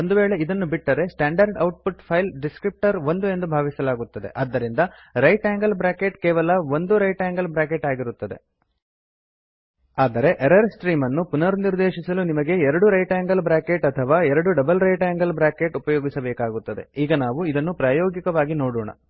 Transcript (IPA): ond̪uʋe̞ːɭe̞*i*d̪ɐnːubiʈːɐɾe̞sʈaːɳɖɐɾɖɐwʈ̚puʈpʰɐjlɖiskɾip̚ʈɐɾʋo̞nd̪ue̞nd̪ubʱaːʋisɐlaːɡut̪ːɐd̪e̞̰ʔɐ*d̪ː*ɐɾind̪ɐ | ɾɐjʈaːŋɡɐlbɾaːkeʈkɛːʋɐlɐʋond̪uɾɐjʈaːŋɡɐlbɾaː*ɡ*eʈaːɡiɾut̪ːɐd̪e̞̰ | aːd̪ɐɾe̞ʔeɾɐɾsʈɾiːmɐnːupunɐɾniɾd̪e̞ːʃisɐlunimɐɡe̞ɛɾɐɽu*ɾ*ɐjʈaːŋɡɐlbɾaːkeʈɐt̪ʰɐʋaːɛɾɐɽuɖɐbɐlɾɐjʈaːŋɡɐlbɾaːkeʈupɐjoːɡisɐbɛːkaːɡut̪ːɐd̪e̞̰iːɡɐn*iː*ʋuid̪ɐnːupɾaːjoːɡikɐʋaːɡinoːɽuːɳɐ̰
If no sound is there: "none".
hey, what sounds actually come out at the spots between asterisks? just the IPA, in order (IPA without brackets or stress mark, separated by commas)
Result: i, d̪ː, k, ɾ, aː